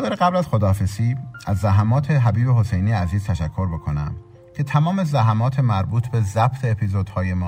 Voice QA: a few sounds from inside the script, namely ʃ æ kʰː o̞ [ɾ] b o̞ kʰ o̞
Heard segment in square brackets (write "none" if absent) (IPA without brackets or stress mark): ɾ